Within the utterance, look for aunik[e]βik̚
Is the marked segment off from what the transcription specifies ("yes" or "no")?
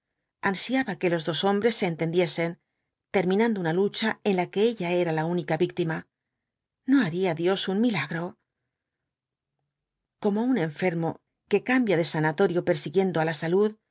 yes